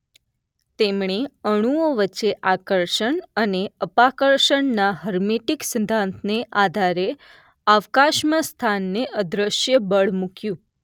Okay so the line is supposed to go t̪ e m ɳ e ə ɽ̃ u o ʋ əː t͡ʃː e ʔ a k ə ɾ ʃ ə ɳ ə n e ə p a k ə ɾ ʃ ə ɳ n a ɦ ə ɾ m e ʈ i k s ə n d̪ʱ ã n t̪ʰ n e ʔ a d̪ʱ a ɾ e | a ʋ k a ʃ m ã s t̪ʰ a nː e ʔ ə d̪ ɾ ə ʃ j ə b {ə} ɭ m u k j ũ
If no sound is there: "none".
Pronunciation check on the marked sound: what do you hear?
ə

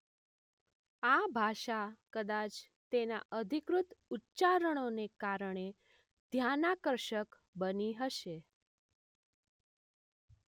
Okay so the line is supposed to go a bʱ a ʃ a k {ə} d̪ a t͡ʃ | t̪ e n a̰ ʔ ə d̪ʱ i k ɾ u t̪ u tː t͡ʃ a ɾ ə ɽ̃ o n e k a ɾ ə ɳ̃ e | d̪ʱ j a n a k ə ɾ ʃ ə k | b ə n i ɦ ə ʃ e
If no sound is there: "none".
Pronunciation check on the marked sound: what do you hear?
ə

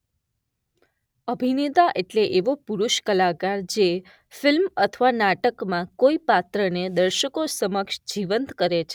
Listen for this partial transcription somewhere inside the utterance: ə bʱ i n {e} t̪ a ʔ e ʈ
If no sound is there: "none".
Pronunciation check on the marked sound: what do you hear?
e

